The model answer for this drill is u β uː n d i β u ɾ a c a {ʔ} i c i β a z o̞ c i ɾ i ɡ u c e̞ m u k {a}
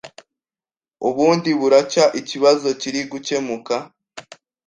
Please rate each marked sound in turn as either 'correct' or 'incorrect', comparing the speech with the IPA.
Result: correct, correct

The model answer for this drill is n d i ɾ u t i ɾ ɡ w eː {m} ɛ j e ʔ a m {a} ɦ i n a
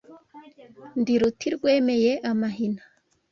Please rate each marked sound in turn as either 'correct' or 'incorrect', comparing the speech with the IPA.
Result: correct, correct

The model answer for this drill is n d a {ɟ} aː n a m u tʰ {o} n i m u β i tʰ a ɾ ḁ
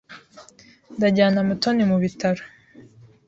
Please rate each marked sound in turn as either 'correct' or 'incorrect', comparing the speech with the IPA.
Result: correct, correct

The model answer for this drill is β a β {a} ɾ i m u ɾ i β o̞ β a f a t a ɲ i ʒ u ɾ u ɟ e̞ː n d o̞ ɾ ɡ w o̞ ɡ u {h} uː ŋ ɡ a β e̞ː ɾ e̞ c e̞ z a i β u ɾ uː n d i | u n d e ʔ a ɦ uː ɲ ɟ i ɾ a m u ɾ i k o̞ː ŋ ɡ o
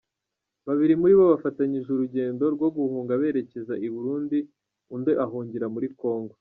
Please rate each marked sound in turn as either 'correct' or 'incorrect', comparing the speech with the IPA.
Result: incorrect, correct

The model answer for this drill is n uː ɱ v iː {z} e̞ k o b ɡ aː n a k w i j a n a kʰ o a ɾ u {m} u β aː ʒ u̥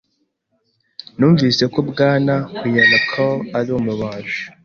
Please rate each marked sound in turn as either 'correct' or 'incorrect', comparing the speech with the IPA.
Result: incorrect, correct

